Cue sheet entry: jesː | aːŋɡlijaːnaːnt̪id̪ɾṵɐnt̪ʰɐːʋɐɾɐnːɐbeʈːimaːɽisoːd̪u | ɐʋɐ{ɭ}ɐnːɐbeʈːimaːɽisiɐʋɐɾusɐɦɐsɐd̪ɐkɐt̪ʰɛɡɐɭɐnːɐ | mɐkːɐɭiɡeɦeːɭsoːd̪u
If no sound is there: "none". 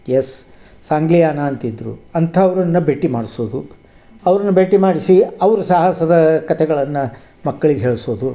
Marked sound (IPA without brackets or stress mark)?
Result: ɾ